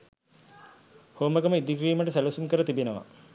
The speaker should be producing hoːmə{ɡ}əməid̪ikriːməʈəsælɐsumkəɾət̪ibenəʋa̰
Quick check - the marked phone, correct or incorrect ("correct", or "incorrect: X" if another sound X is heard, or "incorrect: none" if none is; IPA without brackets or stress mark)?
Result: correct